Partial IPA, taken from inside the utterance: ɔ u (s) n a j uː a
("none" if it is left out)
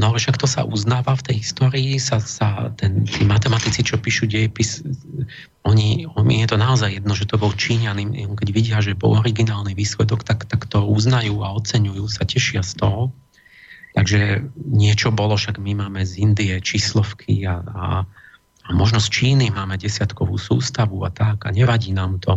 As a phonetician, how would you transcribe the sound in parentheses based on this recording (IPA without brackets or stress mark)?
z